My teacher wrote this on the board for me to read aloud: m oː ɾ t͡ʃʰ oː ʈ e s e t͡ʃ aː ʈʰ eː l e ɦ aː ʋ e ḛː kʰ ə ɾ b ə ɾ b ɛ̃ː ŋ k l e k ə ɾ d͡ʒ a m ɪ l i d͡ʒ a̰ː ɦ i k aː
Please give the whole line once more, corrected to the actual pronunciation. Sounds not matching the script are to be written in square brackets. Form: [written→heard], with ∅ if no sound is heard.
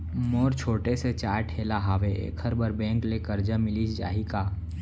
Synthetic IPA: m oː ɾ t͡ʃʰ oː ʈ e s e t͡ʃ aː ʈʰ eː l [e→a] ɦ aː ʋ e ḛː kʰ ə ɾ b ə ɾ b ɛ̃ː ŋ k l e k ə ɾ d͡ʒ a m ɪ l i d͡ʒ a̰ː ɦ i k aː